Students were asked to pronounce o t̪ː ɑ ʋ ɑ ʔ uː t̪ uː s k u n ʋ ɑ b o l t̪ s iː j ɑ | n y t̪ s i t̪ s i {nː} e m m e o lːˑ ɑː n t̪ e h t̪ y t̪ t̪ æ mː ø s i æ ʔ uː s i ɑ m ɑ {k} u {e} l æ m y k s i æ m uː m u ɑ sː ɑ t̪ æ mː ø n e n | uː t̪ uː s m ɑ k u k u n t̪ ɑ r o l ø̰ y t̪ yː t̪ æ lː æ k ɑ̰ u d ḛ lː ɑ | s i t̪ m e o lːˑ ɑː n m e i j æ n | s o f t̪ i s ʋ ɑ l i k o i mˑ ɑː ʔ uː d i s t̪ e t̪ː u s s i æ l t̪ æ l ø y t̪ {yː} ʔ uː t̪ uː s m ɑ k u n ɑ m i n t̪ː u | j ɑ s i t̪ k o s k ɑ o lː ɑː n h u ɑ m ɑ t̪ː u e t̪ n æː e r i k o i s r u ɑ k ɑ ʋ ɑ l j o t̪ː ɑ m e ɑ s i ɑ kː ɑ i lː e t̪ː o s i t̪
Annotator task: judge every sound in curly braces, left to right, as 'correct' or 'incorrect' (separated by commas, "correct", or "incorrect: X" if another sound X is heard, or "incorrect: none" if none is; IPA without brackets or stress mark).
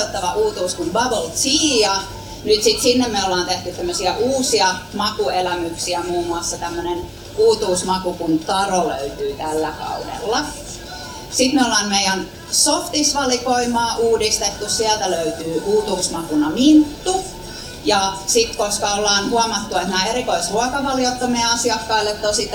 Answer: correct, correct, correct, correct